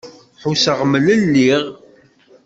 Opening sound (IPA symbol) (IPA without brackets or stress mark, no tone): ħ